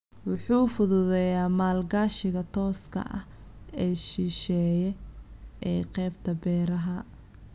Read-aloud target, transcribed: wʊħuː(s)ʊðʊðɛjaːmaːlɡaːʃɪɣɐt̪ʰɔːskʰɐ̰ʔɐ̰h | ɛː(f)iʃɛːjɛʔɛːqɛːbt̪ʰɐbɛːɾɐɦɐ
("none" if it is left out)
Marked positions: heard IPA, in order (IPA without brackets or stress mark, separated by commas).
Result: f, ʃ